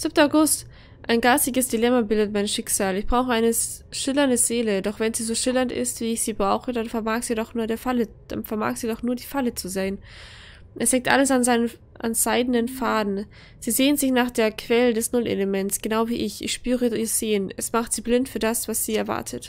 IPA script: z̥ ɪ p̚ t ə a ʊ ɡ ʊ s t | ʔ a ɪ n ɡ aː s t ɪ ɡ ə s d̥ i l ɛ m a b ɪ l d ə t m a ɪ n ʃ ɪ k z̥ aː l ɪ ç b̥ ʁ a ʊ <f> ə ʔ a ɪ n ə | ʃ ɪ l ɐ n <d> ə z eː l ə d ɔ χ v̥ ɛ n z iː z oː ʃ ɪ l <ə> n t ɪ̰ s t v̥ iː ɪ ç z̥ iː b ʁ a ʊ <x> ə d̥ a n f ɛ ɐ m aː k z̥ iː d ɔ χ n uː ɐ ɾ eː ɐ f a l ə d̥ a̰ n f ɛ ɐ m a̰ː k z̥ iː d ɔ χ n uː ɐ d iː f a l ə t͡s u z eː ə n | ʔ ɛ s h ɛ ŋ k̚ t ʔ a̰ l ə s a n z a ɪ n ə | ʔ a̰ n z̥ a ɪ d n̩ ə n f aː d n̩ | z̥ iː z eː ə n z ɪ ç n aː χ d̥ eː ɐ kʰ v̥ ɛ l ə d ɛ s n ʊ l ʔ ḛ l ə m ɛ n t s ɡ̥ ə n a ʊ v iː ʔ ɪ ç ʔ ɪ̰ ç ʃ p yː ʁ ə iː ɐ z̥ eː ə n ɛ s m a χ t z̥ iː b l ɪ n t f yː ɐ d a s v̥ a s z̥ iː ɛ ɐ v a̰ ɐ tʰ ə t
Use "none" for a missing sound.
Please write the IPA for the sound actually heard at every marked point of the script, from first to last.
x, d, ɐ, x

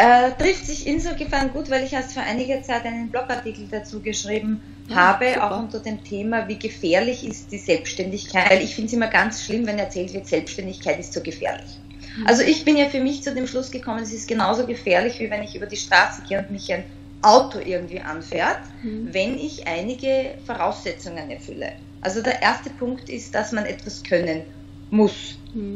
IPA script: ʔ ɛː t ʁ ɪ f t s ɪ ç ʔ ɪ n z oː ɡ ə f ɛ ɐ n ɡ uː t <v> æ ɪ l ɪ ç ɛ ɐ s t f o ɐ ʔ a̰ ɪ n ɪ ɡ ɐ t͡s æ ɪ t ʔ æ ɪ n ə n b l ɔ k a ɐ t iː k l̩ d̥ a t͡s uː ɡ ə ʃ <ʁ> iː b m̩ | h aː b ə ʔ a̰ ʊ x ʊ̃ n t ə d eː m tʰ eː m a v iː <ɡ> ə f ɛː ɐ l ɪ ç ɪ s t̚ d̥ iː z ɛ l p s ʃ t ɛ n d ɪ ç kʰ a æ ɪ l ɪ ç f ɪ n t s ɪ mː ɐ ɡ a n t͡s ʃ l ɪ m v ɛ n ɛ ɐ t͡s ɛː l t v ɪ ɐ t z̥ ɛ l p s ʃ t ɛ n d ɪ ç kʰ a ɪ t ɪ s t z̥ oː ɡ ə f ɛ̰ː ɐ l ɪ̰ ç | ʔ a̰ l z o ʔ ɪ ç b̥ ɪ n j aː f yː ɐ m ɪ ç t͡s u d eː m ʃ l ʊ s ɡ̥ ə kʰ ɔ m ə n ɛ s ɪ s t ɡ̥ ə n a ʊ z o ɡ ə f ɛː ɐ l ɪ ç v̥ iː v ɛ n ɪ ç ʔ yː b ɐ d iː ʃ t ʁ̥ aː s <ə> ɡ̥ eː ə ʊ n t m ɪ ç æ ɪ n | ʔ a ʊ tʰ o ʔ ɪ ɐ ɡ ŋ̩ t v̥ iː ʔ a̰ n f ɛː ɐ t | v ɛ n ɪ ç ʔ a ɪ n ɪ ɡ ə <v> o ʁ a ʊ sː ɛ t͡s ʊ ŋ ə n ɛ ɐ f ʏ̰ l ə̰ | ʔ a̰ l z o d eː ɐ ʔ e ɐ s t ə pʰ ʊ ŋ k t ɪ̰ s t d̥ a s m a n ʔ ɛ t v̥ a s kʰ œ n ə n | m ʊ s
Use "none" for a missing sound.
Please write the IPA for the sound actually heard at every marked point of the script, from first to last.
v, ʁ, ɡ, ə, f

